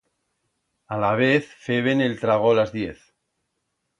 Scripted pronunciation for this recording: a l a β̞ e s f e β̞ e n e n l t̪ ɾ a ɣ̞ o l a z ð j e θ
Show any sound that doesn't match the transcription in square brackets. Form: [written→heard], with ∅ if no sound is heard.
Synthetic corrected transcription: a l a β̞ e [s→θ] f e β̞ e n e [n→∅] l t̪ ɾ a ɣ̞ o l a z ð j e θ